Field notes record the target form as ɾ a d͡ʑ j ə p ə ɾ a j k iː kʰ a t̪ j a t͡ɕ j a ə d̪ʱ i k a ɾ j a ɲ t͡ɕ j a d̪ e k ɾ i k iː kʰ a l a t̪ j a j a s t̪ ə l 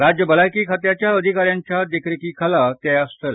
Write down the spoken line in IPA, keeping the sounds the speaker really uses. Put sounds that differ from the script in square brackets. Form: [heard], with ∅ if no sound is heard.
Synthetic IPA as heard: ɾ a d͡ʑ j ə [b] ə [l] a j k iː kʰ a t̪ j a t͡ɕ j a ə d̪ʱ i k a ɾ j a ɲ t͡ɕ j a d̪ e k ɾ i k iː kʰ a l a t̪ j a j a s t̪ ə l